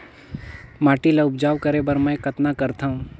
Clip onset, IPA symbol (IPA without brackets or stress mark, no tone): m